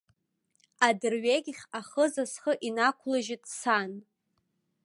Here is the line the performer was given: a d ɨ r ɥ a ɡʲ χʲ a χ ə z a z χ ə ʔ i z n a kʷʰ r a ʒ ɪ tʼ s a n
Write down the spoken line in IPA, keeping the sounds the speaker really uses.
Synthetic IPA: a d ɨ r ɥ e ɡʲ χʲ a χ ə z a s χ ə ʔ i n a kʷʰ l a ʒ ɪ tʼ s a n